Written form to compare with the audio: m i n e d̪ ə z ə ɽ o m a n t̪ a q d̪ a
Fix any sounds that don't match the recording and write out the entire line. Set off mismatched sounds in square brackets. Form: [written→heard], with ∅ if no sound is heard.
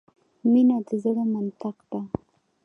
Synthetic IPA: m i n [e→a] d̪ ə z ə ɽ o m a n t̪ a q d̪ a